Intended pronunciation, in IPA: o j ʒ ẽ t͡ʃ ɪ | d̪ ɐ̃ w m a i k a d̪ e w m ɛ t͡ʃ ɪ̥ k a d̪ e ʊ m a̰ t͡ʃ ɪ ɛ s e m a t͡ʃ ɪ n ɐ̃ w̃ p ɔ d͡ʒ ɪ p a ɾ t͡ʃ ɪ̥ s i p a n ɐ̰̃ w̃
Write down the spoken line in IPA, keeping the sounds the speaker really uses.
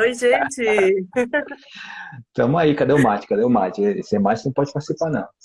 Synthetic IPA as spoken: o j ʒ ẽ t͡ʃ ɪ | t̪ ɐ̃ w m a i k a d̪ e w m a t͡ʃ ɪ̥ k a d̪ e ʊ m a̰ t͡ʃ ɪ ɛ s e m a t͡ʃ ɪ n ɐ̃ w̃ p ɔ d͡ʒ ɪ p a ɾ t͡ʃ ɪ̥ s i p a n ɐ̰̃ w̃

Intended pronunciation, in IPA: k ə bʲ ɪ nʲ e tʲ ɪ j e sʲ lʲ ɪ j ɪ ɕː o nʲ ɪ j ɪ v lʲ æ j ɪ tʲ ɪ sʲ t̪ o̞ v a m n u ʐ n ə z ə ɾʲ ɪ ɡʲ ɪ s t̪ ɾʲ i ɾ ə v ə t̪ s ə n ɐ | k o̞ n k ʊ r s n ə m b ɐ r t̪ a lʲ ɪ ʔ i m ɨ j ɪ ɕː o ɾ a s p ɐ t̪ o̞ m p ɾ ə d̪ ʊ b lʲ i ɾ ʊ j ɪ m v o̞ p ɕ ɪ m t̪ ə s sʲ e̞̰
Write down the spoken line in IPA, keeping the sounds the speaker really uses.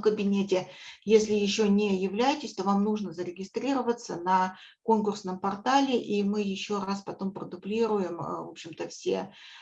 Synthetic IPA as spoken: k ə bʲ ɪ nʲ e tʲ ɪ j e sʲ lʲ ɪ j ɪ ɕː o nʲ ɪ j ɪ v lʲ æ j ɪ tʲ ɪ sʲ t̪ o̞ v a m n u ʐ n ə z ə ɾʲ ɪ ɡʲ ɪ s t̪ ɾʲ i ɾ ə v ə t̪ s ə n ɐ | k o̞ n k ʊ r s n ə m p ɐ r t̪ a lʲ ɪ ʔ i m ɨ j ɪ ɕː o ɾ a s p ɐ t̪ o̞ m p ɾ ə d̪ ʊ b lʲ i ɾ ʊ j ɪ m v o̞ p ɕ ɪ m t̪ ə f sʲ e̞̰

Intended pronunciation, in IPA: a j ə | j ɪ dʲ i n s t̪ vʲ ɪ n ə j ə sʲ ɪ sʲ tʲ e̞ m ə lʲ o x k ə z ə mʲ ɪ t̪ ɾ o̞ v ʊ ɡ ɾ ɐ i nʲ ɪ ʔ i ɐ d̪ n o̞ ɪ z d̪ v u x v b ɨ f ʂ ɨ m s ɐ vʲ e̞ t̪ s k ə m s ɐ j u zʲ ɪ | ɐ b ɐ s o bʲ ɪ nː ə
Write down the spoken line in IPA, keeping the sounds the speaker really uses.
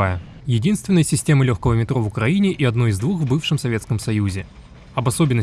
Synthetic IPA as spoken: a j ə | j ɪ dʲ i n s t̪ vʲ ɪ n ə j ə sʲ ɪ sʲ tʲ e̞ m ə lʲ o x k ə v ə mʲ ɪ t̪ ɾ o̞ v ʊ k ɾ ɐ i nʲ ɪ ʔ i ɐ d̪ n o̞ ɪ z d̪ v u x v b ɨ f ʂ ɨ m s ɐ vʲ e̞ t̪ s k ə m s ɐ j u zʲ ɪ | ɐ b ɐ s o bʲ ɪ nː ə

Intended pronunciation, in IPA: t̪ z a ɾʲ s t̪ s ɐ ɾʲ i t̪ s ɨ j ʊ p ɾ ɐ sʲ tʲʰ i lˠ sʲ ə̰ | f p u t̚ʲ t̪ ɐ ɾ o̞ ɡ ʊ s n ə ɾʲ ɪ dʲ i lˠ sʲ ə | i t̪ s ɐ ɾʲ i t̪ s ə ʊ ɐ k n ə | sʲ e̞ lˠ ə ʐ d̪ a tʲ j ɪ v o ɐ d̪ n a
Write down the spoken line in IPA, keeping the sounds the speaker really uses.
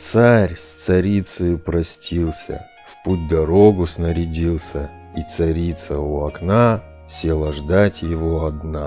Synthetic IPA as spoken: t̪ s a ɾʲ s t̪ s ɐ ɾʲ i t̪ s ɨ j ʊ p ɾ ɐ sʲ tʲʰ i lˠ sʲ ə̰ | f p u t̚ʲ d̪ ɐ ɾ o̞ ɡ ʊ s n ə ɾʲ ɪ dʲ i lˠ sʲ ə | i t̪ s ɐ ɾʲ i t̪ s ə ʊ ɐ k n a | sʲ e̞ lˠ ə ʐ d̪ a tʲ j ɪ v o ɐ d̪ n a

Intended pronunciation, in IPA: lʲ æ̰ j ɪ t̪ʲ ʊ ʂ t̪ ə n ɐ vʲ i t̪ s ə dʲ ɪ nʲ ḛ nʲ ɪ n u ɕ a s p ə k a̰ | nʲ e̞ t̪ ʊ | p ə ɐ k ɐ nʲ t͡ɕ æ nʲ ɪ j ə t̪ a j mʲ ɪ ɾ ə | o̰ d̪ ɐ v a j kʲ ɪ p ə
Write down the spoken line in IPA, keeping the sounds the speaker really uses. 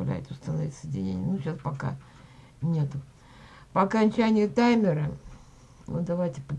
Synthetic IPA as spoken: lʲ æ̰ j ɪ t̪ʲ ʊ s t̪ ə n ɐ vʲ i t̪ s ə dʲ ɪ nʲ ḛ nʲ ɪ n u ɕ a s p ɐ k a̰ | nʲ e̞ t̪ ʊ | p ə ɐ k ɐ nʲ t͡ɕ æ nʲ ɪ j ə t̪ a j mʲ ɪ ɾ ə | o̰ d̪ ɐ v a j tʲ ɪ p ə

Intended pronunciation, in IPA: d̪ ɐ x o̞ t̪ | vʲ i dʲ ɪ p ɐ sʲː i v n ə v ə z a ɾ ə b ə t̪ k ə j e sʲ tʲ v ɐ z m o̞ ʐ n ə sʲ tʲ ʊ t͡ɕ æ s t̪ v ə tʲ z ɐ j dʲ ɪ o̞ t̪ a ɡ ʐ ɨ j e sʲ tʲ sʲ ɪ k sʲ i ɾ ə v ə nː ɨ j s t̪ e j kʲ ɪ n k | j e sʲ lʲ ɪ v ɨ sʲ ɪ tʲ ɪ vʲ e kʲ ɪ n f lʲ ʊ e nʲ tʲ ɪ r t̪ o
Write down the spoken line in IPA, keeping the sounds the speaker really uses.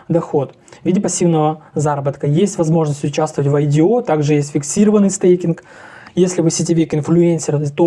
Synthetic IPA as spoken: d̪ ɐ x o̞ t̪ | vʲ i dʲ ɪ p ɐ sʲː i v n ə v ə z a ɾ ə b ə t̪ k ə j e sʲ tʲ v ɐ z m o̞ ʐ n ə sʲ tʲ ʊ t͡ɕ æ s t̪ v ə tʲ v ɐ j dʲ ɪ o̞ t̪ a ɡ ʐ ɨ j e sʲ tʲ fʲ ɪ k sʲ i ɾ ə v ə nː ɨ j s t̪ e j kʲ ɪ n k | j e sʲ lʲ ɪ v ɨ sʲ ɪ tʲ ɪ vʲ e kʲ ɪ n f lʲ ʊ e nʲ sʲ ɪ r t̪ o

